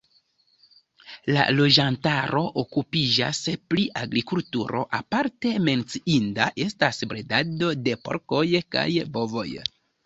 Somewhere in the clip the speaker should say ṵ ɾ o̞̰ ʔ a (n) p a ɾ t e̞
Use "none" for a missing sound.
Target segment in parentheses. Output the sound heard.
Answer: none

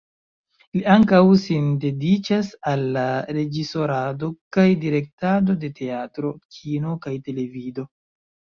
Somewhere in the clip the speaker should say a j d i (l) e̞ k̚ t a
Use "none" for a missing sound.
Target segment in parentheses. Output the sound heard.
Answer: ɾ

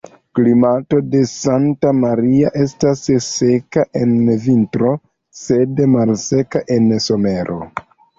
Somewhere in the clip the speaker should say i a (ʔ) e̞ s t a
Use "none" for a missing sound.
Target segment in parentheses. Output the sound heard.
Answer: ʔ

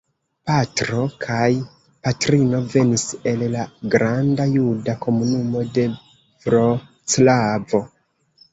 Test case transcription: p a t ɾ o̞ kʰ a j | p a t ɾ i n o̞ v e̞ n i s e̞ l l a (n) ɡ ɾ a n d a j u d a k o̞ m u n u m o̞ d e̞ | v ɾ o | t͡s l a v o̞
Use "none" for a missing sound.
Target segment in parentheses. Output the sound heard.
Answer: none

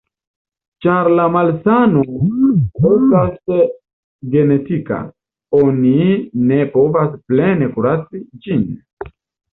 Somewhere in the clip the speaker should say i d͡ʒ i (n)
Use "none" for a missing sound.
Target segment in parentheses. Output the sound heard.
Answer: n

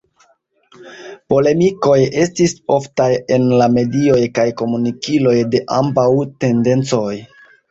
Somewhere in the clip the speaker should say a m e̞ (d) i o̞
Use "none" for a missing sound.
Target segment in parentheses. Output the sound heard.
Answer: d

